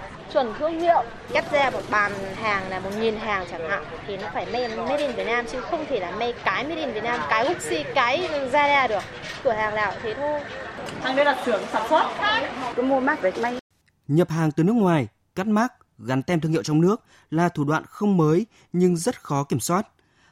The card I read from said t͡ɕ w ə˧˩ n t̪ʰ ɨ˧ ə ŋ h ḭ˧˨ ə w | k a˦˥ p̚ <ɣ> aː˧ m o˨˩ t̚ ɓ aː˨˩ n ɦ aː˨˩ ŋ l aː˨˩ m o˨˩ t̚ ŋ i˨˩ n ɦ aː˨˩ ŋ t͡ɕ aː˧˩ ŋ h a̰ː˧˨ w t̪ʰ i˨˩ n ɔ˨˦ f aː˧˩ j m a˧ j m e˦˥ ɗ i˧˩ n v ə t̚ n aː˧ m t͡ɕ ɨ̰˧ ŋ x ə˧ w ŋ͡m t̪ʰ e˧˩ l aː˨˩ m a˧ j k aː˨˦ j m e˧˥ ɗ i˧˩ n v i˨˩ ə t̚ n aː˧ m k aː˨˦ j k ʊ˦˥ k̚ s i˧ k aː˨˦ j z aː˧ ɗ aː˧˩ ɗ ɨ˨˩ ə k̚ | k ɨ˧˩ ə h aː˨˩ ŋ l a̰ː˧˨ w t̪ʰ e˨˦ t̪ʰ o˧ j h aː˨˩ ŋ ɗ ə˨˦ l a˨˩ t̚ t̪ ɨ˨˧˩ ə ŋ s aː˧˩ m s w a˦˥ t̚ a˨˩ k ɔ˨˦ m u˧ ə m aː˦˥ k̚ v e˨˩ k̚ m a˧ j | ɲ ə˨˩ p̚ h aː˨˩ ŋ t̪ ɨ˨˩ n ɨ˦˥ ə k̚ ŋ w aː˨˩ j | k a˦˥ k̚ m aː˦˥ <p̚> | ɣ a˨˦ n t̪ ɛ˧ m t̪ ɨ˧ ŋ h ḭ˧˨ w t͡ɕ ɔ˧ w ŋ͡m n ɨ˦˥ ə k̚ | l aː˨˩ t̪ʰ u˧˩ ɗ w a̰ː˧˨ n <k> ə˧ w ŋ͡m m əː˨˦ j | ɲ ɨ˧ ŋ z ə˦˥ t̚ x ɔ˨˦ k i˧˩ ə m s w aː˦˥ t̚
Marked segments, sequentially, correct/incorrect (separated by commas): incorrect, incorrect, incorrect